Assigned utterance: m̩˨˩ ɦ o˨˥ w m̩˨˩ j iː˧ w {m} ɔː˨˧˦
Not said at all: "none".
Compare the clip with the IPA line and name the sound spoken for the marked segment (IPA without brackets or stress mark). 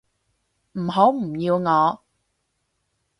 ŋ